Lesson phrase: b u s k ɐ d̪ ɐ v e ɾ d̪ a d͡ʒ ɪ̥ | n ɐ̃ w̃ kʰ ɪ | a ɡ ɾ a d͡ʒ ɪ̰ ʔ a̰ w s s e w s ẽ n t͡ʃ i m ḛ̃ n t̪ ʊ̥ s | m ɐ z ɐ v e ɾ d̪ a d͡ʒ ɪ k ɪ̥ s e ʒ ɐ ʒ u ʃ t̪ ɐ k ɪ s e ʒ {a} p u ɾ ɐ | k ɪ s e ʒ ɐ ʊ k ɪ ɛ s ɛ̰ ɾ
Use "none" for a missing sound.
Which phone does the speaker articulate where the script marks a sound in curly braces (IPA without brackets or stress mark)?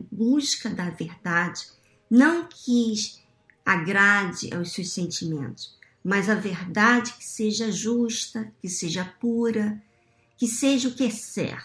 ɐ